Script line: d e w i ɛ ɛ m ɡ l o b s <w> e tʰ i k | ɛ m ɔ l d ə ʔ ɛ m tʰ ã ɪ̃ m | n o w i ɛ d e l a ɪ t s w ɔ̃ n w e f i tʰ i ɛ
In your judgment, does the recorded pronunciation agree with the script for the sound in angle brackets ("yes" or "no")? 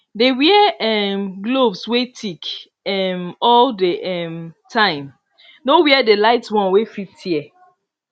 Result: yes